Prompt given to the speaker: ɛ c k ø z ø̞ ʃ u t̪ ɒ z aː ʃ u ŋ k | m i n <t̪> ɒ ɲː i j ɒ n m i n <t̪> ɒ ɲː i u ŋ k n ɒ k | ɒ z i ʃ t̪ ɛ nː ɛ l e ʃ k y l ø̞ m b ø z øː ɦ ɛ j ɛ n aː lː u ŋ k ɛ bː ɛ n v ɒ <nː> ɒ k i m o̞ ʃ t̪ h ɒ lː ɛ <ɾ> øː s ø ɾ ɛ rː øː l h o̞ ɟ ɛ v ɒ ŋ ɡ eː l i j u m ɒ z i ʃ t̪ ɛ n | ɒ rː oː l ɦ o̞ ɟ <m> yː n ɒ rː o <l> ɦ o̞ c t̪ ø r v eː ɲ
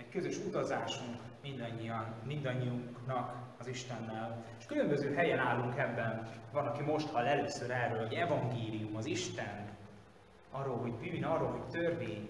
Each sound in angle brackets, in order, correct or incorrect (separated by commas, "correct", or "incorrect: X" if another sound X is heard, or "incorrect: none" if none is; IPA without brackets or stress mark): incorrect: d̪, incorrect: d̪, incorrect: n, incorrect: l, incorrect: b, correct